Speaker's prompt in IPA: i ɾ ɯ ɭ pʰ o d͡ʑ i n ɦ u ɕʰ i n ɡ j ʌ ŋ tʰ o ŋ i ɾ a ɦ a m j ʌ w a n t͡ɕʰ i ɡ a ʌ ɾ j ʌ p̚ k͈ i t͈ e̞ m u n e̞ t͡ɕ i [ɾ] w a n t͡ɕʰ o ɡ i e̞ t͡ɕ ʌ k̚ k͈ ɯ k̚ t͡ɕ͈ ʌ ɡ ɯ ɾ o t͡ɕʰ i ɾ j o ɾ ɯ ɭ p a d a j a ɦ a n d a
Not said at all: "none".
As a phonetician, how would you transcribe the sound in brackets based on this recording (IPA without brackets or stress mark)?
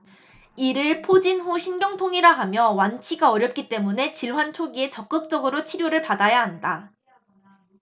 ɭ